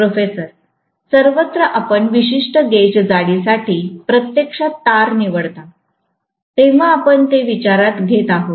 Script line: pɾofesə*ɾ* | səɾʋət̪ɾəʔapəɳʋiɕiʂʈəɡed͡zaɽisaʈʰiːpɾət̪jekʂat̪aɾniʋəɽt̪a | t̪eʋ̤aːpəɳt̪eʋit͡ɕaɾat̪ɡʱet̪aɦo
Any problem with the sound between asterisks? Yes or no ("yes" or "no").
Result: no